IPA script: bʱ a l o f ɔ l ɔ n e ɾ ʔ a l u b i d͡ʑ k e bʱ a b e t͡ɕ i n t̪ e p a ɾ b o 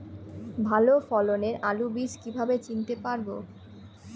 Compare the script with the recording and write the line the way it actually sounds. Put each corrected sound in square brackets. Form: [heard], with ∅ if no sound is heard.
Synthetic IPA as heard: bʱ a l o f ɔ l [o] n e ɾ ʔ a l u b i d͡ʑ k [i] bʱ a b e t͡ɕ i n t̪ e p a ɾ b o

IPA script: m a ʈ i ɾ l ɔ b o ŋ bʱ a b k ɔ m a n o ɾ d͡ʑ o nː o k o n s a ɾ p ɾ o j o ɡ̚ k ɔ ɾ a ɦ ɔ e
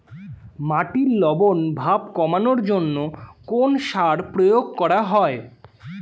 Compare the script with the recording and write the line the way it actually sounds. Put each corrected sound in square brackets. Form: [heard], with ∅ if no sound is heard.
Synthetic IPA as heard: m a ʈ i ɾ l ɔ b o [n] bʱ a b k ɔ m a n o ɾ d͡ʑ o nː o k o n [ʃ] a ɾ p ɾ o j o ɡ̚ k ɔ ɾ a ɦ ɔ e

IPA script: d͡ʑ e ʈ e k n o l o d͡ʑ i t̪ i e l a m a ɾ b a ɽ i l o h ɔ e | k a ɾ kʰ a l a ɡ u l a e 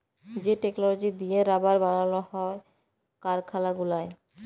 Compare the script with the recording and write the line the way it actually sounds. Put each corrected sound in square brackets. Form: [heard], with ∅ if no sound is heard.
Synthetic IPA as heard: d͡ʑ e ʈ e k n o l o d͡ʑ i [d̪] i e [ɾ] a [b] a ɾ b a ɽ [a] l o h ɔ e | k a ɾ kʰ a l a ɡ u l a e

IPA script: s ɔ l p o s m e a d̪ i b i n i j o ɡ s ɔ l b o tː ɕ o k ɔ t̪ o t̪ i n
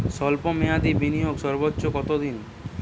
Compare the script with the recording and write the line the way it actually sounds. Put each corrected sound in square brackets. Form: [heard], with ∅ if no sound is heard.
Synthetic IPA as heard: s ɔ l p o [∅] m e a d̪ i b i n i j o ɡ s ɔ [ɾ] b o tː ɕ o k ɔ t̪ o [d̪] i n

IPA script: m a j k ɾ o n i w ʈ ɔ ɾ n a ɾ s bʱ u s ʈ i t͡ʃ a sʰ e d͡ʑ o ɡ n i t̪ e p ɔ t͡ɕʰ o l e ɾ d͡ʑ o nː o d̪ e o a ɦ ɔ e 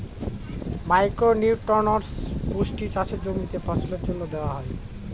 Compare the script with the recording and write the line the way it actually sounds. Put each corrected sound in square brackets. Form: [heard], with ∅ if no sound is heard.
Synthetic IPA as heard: m a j k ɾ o n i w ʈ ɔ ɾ n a ɾ s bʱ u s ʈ i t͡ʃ a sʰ e d͡ʑ o ɡ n i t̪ e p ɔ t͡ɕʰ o l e ɾ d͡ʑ o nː o d̪ e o a ɦ ɔ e

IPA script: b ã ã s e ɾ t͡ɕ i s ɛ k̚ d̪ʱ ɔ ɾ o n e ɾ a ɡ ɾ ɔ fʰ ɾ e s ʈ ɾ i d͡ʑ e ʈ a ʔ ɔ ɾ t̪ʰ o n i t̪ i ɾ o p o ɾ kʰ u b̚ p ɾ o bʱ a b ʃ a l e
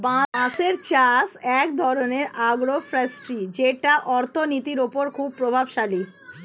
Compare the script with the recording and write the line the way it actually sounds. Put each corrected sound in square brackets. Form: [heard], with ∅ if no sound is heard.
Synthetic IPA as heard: b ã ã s e ɾ t͡ɕ [a] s ɛ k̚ d̪ʱ ɔ ɾ o n e ɾ a ɡ ɾ [o] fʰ ɾ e s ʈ ɾ i d͡ʑ e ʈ a ʔ ɔ ɾ t̪ʰ o n i t̪ i ɾ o p o ɾ kʰ u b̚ p ɾ o bʱ a b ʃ a l [i]

